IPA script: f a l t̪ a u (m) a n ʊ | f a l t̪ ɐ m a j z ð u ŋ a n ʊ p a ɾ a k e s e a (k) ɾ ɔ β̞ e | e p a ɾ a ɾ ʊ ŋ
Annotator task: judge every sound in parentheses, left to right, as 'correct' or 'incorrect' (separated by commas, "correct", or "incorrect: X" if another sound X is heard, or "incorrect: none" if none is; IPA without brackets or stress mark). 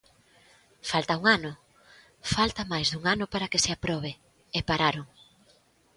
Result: incorrect: ŋ, incorrect: p